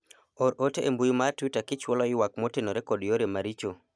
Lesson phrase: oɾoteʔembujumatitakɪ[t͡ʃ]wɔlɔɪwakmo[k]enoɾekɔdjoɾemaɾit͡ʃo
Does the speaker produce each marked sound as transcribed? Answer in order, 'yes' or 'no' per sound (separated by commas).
yes, no